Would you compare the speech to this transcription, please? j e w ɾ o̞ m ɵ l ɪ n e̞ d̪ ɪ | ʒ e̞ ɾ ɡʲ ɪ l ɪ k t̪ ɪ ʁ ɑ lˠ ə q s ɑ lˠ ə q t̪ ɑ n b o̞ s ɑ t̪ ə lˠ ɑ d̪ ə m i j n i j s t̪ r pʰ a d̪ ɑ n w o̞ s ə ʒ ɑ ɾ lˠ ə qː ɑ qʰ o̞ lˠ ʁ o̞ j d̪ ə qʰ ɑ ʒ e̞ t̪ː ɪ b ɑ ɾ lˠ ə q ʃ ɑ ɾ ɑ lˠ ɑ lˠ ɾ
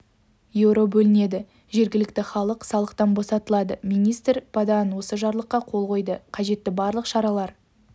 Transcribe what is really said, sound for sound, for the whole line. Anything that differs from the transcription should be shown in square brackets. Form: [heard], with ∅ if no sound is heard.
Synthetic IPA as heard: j e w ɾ o̞ [b] ɵ l ɪ n e̞ d̪ ɪ | ʒ e̞ ɾ ɡʲ ɪ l ɪ k t̪ ɪ [χ] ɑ lˠ ə q s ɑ lˠ ə q t̪ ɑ n b o̞ s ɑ t̪ ə lˠ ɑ d̪ ə m i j n i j s t̪ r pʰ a d̪ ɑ n w o̞ s ə ʒ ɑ ɾ lˠ ə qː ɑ qʰ o̞ lˠ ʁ o̞ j d̪ ə qʰ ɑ ʒ e̞ t̪ː ɪ b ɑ ɾ lˠ ə q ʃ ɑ ɾ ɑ lˠ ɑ [∅] ɾ